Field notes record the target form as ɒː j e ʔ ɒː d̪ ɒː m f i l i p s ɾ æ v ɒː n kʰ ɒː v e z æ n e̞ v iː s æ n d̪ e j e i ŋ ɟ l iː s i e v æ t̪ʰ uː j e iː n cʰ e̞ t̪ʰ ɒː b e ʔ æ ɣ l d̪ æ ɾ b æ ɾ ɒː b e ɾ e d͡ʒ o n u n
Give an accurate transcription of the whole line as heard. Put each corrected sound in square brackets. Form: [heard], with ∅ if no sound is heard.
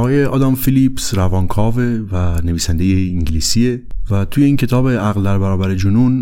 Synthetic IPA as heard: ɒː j e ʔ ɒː d̪ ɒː m f i l i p s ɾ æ v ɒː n kʰ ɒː v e [v] æ n e̞ v iː s æ n d̪ e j e i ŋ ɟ l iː s i e v æ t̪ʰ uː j e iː n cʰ e̞ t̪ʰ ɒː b e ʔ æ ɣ l d̪ æ ɾ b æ ɾ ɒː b [æ] ɾ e d͡ʒ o n u n